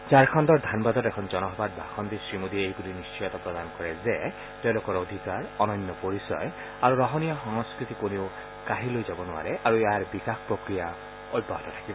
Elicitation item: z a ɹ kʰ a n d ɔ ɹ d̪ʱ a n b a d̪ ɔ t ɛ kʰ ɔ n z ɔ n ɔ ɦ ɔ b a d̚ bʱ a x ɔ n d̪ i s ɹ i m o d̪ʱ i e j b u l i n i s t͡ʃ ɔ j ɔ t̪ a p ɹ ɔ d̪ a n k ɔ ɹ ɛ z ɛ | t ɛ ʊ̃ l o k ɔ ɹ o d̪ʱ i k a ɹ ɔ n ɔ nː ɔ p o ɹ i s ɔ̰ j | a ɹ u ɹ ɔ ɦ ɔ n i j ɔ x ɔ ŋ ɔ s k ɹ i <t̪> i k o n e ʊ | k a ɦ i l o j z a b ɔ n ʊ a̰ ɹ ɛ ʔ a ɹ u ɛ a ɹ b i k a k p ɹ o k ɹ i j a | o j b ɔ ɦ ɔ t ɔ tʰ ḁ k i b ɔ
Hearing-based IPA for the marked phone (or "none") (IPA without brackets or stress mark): t̪